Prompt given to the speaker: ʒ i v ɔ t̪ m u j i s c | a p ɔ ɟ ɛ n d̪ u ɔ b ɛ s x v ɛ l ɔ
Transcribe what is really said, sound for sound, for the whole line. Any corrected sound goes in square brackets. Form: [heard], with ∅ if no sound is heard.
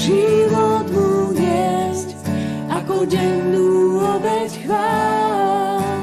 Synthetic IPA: ʒ i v ɔ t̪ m u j [ɛ] s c | a [k] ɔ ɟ ɛ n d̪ u ɔ b ɛ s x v [a] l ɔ